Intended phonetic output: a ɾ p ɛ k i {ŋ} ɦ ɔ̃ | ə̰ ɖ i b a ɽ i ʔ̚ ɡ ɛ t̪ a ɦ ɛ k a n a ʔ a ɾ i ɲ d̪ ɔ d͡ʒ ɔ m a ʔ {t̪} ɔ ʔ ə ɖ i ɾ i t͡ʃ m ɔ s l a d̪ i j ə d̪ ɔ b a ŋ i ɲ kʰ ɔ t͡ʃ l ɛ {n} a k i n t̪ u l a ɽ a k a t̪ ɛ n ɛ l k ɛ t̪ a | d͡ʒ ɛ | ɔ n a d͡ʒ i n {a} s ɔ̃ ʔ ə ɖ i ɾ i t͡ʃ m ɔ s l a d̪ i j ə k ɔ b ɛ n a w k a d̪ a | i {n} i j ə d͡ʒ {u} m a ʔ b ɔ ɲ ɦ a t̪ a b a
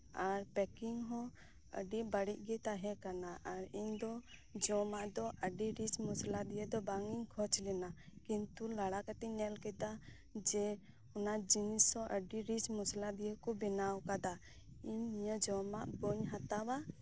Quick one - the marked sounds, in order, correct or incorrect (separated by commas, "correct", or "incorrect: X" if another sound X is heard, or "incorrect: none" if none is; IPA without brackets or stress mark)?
correct, incorrect: d̪, correct, incorrect: i, incorrect: ɲ, incorrect: ɔ